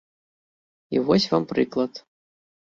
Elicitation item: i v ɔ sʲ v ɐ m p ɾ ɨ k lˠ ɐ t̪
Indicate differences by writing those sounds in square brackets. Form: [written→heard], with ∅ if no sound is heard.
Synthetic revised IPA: i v ɔ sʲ v [ɐ→a] m p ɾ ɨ k lˠ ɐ t̪